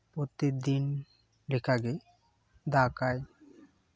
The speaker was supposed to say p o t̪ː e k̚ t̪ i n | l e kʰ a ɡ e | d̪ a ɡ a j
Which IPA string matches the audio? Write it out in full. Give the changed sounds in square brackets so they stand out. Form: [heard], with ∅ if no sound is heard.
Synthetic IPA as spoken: p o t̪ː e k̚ [d̪] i n | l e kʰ a ɡ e | d̪ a [k] a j